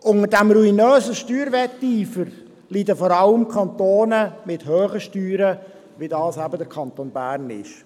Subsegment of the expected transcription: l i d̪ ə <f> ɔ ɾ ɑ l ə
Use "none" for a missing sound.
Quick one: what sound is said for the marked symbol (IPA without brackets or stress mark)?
f